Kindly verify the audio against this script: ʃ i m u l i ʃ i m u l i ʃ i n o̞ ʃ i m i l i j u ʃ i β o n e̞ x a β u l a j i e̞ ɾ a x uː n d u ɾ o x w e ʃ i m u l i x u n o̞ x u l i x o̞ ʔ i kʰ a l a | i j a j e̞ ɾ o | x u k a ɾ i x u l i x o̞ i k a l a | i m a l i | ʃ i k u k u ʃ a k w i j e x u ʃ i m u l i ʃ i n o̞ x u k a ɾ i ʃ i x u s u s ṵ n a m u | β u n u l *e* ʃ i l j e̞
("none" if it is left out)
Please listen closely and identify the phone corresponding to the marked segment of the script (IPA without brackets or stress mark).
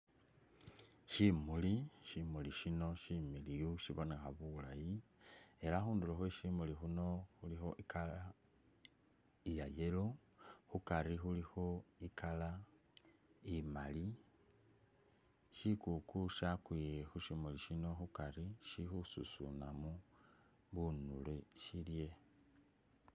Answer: e